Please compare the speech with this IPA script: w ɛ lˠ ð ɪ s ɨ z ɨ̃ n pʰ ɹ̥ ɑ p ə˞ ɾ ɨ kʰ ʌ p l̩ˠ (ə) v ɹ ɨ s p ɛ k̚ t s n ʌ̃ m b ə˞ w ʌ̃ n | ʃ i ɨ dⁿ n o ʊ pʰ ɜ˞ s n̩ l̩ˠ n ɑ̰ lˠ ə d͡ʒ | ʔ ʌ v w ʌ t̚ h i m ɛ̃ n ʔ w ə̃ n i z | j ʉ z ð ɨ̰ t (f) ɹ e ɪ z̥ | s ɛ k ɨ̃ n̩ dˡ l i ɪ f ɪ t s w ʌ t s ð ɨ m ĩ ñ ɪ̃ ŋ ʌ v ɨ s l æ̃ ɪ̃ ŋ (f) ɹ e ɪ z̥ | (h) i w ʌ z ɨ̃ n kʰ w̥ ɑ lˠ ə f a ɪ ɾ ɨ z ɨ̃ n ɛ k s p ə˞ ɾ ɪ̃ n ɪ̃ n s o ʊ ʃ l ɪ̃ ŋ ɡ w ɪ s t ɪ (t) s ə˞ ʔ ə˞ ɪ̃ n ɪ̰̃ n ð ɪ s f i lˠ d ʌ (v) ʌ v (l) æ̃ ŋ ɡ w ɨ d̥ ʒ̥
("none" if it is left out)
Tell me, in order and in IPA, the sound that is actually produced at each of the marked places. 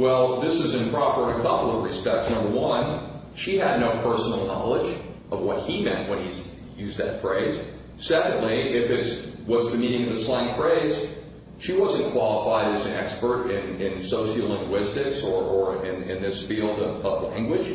ʌ, f, f, ʃ, k, v, l

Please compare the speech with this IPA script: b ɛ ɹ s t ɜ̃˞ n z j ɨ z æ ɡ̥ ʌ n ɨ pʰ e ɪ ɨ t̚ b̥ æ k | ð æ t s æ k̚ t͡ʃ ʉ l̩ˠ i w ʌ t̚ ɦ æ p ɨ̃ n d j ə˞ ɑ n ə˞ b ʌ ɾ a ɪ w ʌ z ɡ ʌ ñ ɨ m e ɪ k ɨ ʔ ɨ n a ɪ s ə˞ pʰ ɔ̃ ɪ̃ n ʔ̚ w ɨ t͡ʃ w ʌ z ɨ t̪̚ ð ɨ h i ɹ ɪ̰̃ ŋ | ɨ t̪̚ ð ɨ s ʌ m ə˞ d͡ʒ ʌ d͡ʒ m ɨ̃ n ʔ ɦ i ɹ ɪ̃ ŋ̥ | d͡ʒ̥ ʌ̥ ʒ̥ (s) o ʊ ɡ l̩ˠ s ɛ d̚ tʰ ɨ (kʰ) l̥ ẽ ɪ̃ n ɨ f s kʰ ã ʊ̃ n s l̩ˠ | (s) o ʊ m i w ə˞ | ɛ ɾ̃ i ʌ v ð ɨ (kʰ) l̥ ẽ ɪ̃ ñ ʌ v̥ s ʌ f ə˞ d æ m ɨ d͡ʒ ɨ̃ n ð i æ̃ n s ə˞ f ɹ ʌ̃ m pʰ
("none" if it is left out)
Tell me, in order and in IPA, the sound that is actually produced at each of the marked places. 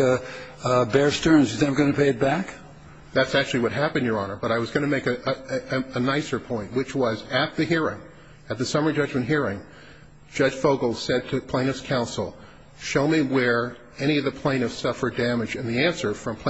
f, pʰ, ʃ, pʰ

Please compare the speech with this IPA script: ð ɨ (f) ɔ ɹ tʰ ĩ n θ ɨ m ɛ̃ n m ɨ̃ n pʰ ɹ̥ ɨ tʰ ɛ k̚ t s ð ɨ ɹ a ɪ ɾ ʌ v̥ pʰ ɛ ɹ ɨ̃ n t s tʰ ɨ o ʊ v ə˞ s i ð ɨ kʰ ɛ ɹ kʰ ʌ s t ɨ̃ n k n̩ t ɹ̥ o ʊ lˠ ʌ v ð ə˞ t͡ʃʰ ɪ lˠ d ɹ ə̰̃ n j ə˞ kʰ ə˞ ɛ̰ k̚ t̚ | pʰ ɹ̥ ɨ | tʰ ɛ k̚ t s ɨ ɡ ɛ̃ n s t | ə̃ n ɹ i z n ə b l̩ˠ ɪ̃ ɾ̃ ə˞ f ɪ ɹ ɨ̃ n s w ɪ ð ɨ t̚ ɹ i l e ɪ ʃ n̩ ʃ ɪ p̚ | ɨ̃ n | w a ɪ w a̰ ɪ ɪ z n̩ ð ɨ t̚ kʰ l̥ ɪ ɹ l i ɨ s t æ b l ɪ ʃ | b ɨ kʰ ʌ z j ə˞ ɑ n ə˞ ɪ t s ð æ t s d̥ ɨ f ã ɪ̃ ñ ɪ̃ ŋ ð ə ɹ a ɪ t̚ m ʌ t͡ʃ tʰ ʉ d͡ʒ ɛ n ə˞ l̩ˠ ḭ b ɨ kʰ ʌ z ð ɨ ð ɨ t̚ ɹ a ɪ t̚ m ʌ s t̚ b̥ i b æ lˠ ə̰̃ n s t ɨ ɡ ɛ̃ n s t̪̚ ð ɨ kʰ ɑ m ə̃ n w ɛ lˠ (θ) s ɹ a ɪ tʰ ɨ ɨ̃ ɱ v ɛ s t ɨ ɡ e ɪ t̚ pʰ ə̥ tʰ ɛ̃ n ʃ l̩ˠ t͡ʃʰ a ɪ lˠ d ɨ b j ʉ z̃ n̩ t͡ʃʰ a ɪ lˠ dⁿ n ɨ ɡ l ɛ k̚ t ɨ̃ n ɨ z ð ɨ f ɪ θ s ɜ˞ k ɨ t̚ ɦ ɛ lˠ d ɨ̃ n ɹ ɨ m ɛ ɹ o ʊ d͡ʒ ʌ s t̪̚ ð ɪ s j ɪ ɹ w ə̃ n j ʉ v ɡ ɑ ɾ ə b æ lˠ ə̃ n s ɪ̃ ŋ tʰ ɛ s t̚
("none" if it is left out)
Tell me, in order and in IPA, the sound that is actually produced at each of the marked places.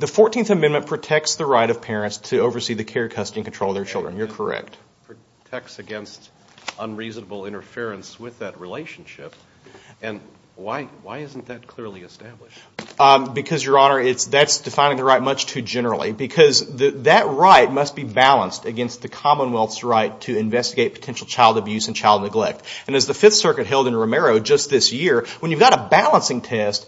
f, θ

